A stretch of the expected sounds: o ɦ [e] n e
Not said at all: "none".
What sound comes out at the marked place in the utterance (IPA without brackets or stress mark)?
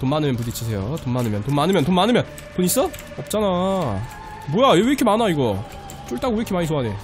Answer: a